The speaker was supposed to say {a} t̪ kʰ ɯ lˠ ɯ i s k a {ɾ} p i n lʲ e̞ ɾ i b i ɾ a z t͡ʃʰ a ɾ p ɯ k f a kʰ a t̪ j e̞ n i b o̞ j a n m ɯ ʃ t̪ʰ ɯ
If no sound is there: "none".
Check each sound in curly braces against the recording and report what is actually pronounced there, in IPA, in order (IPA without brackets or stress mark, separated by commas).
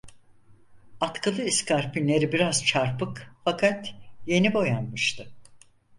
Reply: a, ɾ